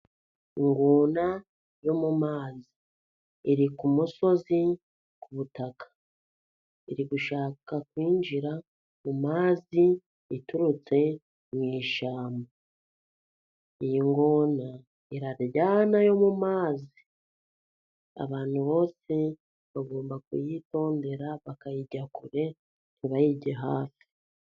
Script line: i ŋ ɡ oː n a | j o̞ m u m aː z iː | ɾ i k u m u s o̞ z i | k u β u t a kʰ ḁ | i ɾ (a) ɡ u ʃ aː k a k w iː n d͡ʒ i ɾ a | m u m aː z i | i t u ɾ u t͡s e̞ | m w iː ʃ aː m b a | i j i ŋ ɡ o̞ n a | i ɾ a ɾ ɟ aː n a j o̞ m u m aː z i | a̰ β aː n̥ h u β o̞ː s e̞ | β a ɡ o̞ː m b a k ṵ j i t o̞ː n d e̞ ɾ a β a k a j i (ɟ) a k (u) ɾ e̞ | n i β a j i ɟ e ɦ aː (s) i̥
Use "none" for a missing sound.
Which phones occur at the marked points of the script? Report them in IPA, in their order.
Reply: i, ɟ, u, f

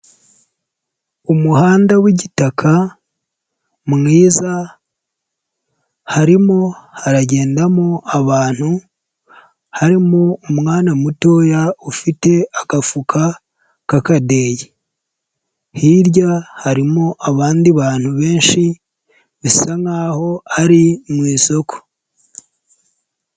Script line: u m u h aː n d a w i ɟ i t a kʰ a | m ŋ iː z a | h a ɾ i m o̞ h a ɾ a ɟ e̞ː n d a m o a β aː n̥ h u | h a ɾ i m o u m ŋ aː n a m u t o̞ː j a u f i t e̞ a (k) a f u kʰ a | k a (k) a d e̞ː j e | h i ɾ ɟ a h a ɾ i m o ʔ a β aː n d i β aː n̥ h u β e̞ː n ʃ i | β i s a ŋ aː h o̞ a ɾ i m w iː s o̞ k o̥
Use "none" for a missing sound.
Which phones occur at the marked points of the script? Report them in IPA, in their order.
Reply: k, k

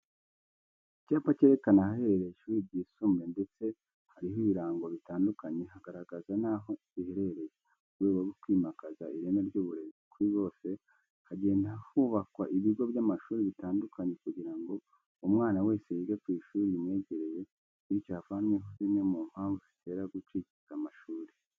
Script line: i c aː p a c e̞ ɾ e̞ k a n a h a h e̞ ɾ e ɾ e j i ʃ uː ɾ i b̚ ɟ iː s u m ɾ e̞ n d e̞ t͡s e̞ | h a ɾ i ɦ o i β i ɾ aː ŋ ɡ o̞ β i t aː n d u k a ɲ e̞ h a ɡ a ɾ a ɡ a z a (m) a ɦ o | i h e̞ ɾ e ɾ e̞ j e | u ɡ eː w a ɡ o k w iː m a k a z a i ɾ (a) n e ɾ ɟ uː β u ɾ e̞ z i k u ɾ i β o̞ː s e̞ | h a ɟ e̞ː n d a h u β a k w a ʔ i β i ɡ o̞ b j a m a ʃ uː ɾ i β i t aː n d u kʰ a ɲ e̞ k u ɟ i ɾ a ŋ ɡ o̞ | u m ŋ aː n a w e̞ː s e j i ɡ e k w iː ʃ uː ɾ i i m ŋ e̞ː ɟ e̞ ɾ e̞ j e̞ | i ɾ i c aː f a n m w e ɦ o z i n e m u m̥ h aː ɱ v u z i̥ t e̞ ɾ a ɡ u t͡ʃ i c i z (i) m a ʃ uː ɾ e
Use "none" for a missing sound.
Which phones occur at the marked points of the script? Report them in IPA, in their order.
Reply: n, e, a

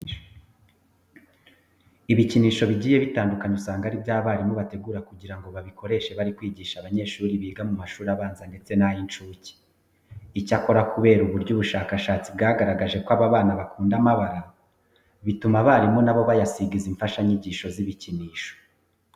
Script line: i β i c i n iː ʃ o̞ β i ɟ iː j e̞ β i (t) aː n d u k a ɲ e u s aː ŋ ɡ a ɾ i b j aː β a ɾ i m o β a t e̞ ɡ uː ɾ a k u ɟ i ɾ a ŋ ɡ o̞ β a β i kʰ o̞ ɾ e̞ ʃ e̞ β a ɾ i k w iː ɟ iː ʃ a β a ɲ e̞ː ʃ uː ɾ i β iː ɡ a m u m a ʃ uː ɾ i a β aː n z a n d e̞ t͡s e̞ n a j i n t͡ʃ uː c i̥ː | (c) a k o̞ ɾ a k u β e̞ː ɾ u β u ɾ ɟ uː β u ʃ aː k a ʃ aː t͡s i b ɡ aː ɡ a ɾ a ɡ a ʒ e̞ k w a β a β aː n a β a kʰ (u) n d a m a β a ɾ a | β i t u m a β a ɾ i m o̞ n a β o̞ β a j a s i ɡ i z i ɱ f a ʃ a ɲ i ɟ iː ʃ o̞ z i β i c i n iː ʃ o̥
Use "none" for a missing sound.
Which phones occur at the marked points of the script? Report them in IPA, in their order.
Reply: t, c, uː

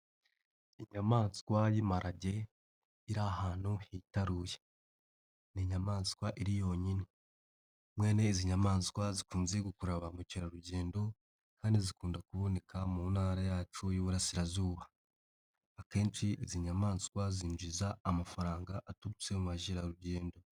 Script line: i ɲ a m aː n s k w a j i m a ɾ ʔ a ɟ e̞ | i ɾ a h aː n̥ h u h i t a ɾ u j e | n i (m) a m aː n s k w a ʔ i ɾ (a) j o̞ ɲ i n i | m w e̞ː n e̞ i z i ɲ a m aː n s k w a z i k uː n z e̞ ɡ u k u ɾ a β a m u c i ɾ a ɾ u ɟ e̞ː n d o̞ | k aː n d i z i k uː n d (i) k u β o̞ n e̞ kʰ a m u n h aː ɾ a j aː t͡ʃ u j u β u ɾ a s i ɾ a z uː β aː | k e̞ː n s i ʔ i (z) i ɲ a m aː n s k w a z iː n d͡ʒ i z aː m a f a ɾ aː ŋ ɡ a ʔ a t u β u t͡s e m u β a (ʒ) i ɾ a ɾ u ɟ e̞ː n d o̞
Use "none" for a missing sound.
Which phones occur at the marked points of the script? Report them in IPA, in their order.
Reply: ɲ, i, a, z, ʒ

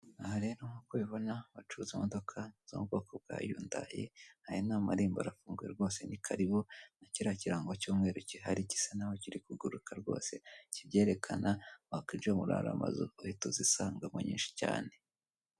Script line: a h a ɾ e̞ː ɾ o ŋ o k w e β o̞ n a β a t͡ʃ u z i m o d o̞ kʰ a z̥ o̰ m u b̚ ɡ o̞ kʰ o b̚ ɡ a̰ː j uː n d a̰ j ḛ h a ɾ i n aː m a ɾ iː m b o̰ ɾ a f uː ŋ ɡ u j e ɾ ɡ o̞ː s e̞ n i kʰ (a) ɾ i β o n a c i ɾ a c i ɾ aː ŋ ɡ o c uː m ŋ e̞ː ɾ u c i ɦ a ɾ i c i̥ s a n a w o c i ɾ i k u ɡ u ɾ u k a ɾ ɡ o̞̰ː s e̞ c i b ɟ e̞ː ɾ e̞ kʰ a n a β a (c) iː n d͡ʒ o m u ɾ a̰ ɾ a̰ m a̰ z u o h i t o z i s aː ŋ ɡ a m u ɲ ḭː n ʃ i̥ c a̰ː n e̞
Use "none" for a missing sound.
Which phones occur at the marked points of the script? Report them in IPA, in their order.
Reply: a, k

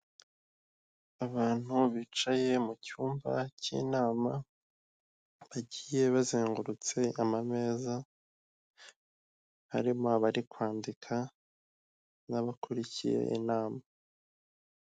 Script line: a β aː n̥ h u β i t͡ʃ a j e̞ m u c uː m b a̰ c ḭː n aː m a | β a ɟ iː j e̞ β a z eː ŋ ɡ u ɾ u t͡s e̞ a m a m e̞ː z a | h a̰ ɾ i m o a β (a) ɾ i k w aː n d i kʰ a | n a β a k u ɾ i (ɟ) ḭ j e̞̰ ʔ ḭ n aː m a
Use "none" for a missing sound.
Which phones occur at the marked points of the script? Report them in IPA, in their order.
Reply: a, c

